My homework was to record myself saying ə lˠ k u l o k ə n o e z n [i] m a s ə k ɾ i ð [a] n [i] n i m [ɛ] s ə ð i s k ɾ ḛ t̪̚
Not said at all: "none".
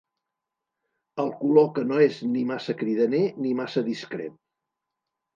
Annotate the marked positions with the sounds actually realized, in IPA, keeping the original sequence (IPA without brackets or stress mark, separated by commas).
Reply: i, ə, e, a